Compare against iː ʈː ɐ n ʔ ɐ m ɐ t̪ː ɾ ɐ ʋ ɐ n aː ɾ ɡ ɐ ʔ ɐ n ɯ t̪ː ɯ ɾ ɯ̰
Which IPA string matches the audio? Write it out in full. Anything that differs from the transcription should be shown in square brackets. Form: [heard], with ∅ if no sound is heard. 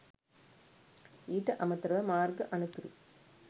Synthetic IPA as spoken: iː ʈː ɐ [∅] ʔ ɐ m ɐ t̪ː ɾ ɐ ʋ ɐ [m] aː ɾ ɡ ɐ ʔ ɐ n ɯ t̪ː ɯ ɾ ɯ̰